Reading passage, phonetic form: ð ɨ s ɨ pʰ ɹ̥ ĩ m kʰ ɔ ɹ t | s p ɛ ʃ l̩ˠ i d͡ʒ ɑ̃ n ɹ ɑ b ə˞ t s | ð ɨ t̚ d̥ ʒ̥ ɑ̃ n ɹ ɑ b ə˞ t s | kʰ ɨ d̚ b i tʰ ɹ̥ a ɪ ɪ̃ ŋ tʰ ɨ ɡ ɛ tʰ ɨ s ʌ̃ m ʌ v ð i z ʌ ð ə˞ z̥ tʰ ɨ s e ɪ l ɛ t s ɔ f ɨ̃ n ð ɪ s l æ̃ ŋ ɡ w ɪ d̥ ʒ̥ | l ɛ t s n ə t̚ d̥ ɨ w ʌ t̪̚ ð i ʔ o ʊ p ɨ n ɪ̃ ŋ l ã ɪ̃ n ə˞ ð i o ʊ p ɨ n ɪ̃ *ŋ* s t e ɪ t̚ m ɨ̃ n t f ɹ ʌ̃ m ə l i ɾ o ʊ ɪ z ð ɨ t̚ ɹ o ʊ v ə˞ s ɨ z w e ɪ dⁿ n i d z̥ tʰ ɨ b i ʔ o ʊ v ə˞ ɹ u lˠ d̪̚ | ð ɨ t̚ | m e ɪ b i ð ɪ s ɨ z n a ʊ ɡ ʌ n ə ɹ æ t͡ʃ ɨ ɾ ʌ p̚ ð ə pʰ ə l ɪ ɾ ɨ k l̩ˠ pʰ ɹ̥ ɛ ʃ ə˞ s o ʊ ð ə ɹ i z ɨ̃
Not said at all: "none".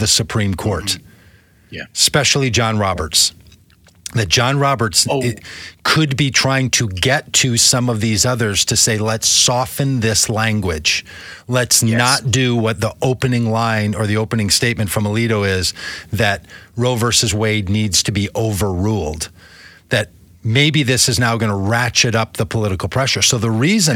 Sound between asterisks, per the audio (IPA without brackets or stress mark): ŋ